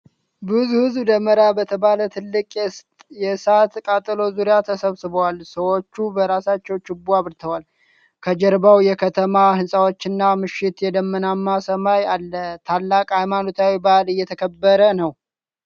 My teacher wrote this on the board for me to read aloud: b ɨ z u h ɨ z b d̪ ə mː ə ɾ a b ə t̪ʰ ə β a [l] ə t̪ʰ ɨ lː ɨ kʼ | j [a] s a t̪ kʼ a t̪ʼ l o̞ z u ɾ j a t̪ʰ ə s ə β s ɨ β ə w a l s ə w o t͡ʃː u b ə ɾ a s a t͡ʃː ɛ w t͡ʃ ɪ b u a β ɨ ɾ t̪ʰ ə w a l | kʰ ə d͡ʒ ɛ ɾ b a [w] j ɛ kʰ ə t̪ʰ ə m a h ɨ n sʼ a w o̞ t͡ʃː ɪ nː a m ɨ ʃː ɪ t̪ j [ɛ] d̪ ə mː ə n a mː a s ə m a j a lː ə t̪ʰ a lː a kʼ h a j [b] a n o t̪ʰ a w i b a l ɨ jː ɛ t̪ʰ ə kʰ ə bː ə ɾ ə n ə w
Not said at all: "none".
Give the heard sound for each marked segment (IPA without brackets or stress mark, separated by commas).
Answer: l, ɛ, w, ɛ, m